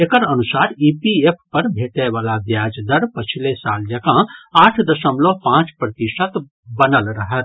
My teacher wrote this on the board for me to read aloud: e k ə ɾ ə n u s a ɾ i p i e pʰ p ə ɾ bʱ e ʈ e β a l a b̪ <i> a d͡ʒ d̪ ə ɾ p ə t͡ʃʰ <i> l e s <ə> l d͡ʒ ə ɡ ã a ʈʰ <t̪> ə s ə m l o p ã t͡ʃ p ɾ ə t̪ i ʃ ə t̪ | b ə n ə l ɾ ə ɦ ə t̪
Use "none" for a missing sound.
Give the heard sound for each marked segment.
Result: j, i, a, d̪

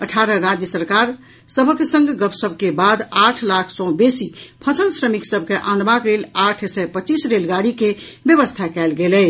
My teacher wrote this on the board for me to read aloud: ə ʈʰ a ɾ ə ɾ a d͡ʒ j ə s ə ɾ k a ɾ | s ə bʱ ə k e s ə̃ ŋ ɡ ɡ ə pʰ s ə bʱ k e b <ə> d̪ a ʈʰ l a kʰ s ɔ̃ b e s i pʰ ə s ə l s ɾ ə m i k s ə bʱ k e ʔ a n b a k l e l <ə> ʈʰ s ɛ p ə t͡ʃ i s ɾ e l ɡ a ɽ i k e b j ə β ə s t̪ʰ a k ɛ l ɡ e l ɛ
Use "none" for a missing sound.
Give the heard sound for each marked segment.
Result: a, a

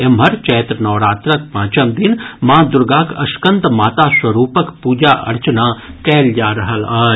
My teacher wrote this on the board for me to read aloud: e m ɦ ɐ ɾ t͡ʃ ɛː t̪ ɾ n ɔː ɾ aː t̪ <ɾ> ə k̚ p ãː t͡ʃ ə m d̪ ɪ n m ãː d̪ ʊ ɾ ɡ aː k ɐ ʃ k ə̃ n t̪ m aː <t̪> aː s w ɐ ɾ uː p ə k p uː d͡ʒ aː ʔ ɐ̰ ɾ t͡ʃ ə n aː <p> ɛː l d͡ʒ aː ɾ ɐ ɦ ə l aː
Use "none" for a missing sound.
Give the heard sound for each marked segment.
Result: ɾ, t̪, k

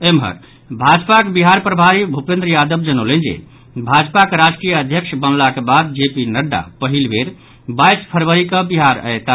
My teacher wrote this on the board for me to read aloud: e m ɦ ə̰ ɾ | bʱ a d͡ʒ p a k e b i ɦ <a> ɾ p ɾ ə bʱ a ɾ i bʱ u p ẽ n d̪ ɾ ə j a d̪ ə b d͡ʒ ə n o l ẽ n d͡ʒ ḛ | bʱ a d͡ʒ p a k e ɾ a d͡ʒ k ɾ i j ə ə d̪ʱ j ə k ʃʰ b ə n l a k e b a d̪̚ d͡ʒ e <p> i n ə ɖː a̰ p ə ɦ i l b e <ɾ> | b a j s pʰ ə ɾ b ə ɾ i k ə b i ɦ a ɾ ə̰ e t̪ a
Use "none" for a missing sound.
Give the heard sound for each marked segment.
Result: a, p, ɾ

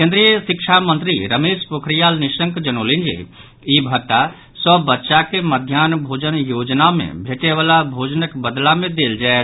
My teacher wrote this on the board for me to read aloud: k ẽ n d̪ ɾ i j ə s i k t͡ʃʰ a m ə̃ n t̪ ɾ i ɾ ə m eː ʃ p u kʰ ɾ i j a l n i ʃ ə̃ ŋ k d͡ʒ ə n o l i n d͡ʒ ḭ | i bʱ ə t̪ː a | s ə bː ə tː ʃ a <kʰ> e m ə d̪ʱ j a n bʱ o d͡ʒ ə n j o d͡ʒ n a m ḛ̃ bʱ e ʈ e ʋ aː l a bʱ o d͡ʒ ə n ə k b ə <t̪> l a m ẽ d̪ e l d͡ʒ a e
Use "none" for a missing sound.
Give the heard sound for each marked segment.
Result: k, d̪

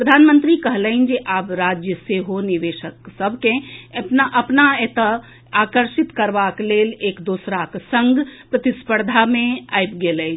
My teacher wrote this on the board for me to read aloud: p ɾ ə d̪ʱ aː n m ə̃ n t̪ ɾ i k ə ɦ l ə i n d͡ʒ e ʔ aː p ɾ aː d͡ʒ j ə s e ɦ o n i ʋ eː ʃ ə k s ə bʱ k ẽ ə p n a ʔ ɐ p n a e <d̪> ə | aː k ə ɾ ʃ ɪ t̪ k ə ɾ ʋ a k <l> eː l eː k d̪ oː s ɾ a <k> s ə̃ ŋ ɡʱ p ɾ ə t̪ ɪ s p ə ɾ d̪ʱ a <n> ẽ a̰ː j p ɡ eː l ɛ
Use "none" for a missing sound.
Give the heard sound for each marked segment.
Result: t̪, l, k, m

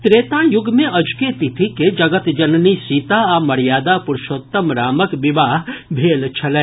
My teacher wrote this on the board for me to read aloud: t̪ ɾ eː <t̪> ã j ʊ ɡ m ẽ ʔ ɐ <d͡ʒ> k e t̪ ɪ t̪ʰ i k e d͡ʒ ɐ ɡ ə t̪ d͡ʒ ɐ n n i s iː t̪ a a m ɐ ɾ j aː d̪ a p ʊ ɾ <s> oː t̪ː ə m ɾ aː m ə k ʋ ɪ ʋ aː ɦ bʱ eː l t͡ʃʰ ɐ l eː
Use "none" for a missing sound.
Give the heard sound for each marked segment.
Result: t̪, d͡ʒ, ʃ

